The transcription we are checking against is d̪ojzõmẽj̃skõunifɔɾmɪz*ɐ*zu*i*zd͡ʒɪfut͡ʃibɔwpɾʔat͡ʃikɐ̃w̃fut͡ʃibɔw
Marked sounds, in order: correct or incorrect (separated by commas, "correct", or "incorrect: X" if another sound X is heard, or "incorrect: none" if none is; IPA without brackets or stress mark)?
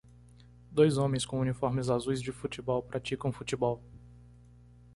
incorrect: a, incorrect: j